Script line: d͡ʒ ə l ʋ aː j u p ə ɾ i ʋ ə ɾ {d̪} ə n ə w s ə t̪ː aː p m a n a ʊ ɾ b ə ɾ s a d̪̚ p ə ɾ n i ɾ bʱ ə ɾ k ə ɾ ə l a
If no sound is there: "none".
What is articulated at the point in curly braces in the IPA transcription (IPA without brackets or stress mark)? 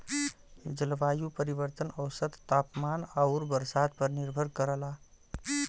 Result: t̪